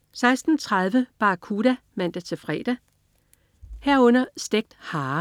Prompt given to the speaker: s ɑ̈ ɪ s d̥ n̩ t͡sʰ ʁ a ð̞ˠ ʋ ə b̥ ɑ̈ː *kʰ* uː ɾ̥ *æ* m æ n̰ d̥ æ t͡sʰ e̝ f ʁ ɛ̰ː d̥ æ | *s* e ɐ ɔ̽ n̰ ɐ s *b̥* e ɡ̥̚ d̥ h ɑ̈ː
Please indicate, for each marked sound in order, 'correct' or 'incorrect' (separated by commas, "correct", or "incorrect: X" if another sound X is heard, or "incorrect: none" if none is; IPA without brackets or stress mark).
correct, correct, incorrect: h, incorrect: d̥